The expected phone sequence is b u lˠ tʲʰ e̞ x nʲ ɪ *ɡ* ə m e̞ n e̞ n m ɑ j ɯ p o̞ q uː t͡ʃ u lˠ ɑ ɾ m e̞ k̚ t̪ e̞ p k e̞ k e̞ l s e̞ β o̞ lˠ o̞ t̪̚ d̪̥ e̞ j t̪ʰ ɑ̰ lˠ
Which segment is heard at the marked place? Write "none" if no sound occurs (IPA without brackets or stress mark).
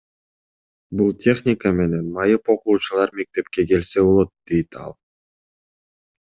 k